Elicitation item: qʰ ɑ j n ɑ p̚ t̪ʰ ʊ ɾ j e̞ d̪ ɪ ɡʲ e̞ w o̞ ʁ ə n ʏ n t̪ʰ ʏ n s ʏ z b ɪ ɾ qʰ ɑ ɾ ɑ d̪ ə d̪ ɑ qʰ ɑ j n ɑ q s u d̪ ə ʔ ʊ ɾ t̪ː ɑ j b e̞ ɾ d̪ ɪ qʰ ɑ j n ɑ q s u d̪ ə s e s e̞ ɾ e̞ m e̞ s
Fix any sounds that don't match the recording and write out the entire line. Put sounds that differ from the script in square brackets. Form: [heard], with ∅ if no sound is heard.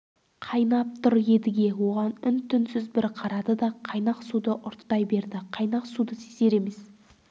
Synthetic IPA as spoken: qʰ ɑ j n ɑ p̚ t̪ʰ ʊ ɾ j e̞ d̪ ɪ ɡʲ e̞ w o̞ ʁ [ɑ] n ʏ n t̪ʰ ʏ n s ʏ z b ɪ ɾ qʰ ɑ ɾ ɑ d̪ ə d̪ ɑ qʰ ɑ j n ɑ q s u d̪ ə ʔ ʊ ɾ t̪ː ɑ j b e̞ ɾ d̪ ɪ qʰ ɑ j n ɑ q s u d̪ ə s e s e̞ ɾ e̞ m e̞ s